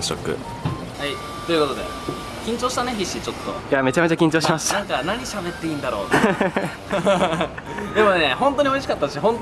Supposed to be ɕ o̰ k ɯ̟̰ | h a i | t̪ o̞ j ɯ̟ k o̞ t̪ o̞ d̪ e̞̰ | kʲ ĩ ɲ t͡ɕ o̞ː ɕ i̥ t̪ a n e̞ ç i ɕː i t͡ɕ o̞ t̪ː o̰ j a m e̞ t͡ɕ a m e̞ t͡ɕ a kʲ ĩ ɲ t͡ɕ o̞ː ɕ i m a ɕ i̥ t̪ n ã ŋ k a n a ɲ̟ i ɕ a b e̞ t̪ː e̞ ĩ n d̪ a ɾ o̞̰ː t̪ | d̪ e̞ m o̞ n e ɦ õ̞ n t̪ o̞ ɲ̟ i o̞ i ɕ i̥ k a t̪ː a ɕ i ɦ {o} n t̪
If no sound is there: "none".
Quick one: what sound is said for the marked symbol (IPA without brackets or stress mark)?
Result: õ